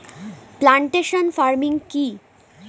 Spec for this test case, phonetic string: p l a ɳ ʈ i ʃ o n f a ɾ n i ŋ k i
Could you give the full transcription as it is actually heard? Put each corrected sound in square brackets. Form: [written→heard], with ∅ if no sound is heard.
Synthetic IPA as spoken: p l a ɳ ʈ [i→e] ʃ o n f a ɾ [n→m] i ŋ k i